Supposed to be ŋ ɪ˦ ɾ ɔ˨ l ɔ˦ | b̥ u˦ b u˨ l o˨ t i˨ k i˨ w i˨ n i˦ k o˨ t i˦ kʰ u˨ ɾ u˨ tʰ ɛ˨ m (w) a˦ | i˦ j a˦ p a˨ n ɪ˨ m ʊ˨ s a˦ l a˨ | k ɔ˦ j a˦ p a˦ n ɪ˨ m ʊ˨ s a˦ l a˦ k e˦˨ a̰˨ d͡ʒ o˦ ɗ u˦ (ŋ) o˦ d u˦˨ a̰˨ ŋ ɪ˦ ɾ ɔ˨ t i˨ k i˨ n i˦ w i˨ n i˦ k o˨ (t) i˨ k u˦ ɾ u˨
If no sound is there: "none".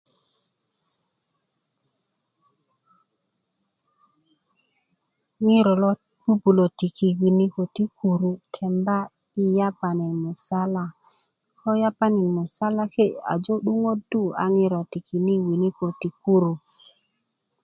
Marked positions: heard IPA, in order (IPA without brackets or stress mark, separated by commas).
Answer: b, ŋ, t